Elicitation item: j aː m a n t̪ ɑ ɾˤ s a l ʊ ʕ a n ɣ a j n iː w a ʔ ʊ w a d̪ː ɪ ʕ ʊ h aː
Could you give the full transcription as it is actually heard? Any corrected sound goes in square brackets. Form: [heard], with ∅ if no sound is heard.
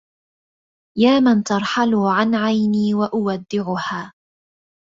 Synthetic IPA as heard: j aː m a n t̪ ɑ ɾˤ [ħ] a l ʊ ʕ a n [ʕ] a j n iː w a ʔ ʊ w a d̪ː ɪ ʕ ʊ h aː